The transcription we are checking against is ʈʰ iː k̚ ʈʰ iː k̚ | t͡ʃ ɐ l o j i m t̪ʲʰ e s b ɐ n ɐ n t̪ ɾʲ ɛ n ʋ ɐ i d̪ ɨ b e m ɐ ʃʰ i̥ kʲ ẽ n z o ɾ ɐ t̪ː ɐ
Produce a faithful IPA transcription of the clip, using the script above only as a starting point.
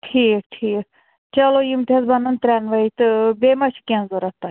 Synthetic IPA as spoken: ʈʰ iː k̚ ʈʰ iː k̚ | t͡ʃ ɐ l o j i m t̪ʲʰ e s b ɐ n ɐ n t̪ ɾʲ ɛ n ʋ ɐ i t̪ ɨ b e m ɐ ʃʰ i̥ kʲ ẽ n z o ɾ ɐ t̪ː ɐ